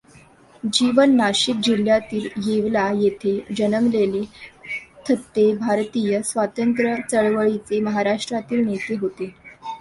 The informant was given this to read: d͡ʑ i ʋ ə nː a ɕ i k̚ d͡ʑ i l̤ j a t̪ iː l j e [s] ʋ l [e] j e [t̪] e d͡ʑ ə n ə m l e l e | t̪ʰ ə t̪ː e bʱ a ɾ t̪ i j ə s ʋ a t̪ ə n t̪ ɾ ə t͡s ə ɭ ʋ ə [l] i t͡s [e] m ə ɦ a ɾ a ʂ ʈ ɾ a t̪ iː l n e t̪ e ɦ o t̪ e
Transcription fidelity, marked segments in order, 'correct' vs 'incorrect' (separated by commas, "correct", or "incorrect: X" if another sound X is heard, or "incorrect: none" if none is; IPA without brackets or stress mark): incorrect: none, incorrect: a, incorrect: t̪ʰ, incorrect: ɭ, correct